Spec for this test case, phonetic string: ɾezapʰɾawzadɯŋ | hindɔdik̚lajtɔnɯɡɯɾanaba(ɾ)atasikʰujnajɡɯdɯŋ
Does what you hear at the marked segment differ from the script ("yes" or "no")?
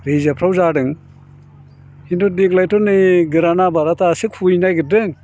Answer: no